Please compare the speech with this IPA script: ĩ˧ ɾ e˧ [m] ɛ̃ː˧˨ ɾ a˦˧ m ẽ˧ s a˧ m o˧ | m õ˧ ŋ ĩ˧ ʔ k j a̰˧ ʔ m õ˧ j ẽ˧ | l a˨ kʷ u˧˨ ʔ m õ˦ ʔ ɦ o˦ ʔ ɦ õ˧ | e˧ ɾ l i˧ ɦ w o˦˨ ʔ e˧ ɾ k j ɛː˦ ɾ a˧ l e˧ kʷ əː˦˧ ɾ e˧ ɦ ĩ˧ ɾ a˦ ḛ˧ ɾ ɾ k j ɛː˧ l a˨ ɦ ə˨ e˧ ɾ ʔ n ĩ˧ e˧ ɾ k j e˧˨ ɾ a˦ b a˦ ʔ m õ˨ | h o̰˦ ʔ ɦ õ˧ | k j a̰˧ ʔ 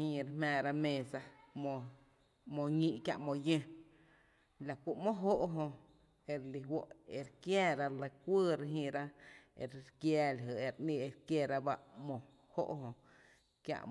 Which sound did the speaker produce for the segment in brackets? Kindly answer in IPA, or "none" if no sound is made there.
m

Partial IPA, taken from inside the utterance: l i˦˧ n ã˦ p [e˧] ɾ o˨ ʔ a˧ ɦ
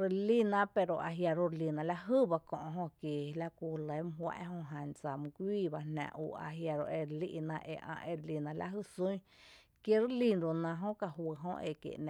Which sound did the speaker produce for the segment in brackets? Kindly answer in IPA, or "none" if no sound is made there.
e˧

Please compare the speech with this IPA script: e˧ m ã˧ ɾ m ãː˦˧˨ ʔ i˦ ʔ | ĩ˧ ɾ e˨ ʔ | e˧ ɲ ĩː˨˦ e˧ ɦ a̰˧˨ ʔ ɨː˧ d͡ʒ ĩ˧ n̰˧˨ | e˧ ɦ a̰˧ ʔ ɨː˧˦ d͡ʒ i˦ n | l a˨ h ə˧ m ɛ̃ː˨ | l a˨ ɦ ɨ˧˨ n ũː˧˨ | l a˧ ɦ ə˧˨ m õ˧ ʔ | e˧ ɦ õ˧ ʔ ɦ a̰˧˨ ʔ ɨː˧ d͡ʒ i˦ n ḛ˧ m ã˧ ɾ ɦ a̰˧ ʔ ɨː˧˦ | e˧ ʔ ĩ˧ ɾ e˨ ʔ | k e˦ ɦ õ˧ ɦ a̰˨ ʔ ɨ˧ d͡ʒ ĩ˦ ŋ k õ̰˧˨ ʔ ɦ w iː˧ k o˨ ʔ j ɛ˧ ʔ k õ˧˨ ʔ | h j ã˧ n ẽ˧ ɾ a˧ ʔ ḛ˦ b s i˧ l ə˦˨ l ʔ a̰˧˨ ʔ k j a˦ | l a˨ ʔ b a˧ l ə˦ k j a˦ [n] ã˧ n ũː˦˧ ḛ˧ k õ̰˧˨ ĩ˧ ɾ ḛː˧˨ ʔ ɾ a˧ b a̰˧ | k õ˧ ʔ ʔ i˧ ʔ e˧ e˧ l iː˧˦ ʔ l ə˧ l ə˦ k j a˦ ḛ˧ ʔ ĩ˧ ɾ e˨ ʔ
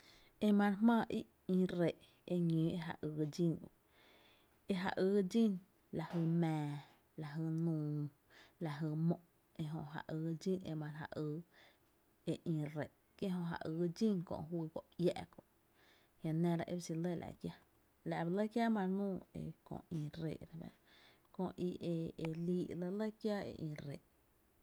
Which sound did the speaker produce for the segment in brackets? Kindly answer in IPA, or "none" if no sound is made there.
m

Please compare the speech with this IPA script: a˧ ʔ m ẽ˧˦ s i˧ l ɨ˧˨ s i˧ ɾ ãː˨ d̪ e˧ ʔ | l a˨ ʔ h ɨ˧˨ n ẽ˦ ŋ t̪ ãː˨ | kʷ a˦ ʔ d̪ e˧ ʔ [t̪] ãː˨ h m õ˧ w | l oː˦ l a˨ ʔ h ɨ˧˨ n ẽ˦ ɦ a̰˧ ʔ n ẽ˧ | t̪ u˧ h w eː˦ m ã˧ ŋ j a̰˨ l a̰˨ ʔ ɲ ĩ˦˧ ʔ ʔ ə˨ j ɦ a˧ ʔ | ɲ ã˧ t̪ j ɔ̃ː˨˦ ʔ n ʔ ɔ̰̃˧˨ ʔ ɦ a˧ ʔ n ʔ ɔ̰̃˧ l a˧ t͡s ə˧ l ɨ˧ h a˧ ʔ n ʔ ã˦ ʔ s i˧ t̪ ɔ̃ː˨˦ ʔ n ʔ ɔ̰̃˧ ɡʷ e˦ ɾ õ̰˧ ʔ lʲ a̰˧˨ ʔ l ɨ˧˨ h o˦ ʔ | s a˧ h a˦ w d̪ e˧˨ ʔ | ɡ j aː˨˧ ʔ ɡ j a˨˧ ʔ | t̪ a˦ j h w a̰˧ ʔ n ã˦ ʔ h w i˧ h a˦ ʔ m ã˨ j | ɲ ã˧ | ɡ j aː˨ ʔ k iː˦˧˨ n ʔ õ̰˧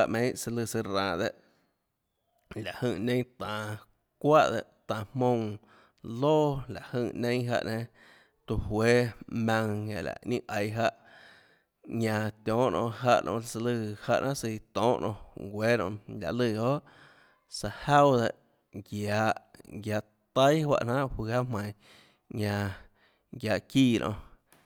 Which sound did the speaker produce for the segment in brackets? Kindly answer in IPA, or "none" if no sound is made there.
t̪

